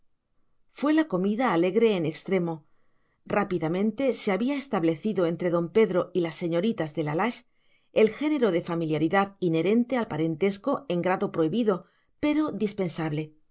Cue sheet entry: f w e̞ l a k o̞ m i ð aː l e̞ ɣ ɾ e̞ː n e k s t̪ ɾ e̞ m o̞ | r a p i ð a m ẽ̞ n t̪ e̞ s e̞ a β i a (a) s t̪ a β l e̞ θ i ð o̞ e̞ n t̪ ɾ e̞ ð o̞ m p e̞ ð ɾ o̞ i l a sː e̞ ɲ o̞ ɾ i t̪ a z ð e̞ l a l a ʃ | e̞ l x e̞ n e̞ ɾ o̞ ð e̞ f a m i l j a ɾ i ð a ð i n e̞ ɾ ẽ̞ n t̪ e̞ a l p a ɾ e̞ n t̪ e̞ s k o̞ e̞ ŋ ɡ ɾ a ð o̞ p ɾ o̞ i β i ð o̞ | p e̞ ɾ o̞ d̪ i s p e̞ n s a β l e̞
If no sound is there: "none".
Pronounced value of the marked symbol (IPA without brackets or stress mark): e